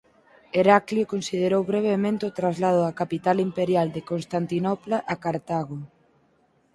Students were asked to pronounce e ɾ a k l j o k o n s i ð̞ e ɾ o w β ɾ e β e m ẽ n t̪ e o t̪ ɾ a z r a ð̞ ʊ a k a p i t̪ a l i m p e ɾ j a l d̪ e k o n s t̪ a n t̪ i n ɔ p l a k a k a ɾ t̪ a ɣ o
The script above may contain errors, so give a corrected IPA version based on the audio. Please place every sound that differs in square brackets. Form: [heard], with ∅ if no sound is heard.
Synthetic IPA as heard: e ɾ a k l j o k o n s i ð̞ e ɾ o w β ɾ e β e m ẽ n t̪ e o t̪ ɾ a z [l] a ð̞ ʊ a k a p i t̪ a l i m p e ɾ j a l d̪ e k o n s t̪ a n t̪ i n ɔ p l a [ʔ] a k a ɾ t̪ a ɣ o